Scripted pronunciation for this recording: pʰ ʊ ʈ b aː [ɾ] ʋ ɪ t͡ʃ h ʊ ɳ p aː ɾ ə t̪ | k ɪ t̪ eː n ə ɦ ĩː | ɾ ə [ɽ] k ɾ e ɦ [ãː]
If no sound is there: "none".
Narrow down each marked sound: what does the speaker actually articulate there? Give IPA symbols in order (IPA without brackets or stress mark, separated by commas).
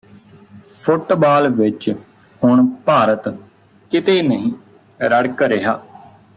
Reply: l, ɽ, aː